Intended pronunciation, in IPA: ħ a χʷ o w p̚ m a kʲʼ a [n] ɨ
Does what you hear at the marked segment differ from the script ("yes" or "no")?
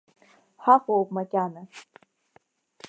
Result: no